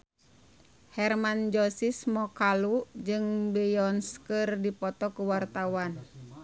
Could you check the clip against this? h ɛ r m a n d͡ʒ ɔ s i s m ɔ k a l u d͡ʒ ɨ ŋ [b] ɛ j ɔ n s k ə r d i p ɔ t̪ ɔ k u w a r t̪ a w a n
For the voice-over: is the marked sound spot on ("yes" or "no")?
yes